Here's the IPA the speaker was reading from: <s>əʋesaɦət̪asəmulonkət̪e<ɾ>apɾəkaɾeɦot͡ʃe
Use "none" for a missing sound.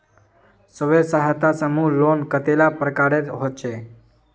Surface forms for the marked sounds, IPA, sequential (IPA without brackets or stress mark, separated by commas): s, l